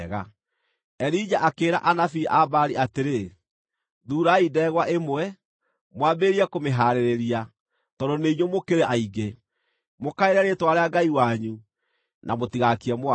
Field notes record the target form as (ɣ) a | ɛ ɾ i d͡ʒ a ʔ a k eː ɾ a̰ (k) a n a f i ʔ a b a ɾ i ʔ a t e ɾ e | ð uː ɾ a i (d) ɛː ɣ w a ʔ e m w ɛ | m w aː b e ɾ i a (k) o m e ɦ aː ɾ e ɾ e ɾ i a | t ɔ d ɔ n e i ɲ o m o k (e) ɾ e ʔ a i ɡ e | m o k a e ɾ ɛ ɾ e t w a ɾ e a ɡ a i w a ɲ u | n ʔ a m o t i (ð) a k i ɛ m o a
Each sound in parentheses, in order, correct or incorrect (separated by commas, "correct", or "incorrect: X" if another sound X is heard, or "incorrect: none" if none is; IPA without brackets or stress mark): correct, incorrect: ʔ, correct, correct, correct, incorrect: ɣ